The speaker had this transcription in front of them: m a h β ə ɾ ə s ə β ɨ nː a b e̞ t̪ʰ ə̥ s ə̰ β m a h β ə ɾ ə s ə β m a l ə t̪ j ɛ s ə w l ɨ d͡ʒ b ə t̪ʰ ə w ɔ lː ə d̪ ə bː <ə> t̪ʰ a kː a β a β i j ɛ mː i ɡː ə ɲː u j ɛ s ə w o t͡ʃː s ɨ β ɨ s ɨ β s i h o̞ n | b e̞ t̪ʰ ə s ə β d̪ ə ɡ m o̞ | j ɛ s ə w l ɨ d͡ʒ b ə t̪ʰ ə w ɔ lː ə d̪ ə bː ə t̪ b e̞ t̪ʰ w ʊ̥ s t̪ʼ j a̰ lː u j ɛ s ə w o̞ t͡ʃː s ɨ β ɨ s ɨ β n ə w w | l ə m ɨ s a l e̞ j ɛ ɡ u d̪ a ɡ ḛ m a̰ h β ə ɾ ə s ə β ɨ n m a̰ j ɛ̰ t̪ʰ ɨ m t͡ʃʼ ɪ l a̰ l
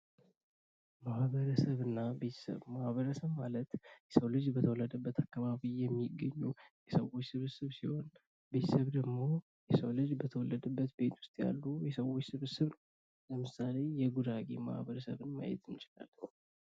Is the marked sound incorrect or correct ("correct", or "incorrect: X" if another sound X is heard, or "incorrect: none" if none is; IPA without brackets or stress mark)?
correct